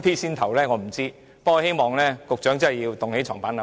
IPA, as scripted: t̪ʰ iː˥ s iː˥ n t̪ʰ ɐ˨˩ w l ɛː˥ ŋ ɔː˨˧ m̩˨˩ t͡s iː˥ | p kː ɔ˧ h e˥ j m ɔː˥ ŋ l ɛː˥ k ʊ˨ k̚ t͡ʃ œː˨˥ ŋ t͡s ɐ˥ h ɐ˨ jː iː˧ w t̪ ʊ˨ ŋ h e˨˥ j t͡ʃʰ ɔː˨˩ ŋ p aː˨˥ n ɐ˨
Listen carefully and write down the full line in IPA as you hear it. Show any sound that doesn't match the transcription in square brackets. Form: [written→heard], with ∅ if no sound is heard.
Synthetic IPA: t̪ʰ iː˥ s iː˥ n t̪ʰ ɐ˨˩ w l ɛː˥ ŋ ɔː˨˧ m̩˨˩ t͡s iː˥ | p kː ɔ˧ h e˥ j m [ɔː˥→ɔː˨] ŋ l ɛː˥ k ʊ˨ k̚ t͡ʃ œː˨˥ ŋ t͡s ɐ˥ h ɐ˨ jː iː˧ w t̪ ʊ˨ ŋ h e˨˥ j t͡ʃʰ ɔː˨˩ ŋ p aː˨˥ n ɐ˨